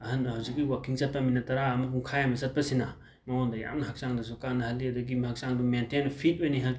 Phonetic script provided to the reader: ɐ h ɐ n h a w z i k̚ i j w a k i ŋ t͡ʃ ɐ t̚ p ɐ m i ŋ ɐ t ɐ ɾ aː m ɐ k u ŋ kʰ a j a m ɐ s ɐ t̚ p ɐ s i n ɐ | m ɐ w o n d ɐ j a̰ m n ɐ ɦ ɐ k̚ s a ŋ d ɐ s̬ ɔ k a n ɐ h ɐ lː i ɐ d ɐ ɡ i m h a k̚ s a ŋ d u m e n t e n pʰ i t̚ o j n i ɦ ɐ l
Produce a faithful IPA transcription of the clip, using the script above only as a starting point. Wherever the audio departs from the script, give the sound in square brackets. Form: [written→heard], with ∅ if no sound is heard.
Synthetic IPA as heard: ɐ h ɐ n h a w z i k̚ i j w a k i ŋ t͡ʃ ɐ t̚ p ɐ m i [ŋ→n] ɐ t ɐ ɾ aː m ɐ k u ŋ kʰ a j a m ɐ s ɐ t̚ p ɐ s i n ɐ | m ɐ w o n d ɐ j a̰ m n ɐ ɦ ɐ k̚ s a ŋ d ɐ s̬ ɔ k a n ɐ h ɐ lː i ɐ d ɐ ɡ i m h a k̚ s a ŋ d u m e n t e n pʰ i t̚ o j n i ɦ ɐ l